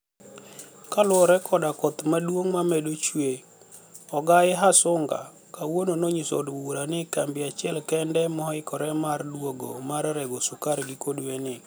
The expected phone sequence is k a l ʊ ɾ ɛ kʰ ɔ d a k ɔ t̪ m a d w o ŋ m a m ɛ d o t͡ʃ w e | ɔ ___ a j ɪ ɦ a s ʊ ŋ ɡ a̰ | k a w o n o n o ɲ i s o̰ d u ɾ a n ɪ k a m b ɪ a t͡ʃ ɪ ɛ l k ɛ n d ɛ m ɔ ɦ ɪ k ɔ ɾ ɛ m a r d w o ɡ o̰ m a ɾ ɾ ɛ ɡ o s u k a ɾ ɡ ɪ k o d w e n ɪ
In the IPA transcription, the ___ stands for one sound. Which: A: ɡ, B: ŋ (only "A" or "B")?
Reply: A